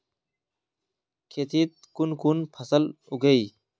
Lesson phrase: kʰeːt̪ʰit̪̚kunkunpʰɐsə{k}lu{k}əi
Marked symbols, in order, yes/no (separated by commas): no, no